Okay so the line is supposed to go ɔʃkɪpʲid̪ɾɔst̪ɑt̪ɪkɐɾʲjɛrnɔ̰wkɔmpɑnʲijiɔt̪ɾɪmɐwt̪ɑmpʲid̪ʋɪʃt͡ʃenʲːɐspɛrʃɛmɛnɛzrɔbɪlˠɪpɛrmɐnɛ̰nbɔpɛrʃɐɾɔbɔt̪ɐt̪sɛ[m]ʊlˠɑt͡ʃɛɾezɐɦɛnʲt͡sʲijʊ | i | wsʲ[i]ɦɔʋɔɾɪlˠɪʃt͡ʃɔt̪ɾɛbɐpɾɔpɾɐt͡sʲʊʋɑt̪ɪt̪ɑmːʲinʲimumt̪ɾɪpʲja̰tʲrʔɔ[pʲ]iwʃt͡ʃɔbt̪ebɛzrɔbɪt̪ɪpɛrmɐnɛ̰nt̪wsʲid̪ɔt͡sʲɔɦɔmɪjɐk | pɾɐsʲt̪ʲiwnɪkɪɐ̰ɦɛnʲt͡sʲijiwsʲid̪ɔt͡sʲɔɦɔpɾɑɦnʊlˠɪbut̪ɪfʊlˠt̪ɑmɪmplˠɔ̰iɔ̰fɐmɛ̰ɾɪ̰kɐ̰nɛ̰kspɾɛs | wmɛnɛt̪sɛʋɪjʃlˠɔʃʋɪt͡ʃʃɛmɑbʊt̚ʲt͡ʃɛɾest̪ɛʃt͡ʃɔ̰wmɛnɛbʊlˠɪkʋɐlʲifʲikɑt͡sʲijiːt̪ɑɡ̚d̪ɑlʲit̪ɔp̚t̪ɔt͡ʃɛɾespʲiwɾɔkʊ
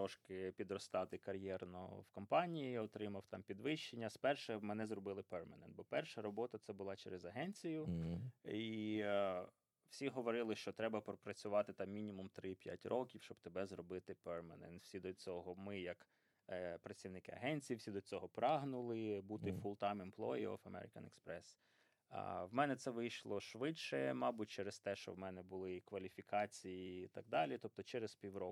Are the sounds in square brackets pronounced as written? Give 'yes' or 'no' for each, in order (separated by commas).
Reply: no, yes, no